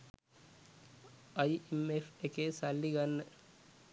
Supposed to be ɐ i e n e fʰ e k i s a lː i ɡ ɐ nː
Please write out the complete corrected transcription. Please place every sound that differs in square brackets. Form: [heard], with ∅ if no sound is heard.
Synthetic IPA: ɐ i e [m] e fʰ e k [e] s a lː i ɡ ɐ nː